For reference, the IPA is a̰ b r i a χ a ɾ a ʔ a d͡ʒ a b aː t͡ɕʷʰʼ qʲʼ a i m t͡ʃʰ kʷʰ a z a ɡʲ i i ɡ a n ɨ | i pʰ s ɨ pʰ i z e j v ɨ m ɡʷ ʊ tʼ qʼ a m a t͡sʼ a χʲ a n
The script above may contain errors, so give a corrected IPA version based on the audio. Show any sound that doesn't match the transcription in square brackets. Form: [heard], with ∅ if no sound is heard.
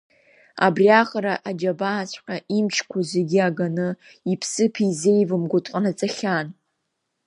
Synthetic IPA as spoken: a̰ b r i a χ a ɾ a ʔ a d͡ʒ a b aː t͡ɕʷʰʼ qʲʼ a i m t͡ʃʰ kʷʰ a z [e] ɡʲ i [a] ɡ a n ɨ | i pʰ s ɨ pʰ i z e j v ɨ m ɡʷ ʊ tʼ qʼ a [n] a t͡sʼ a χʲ a n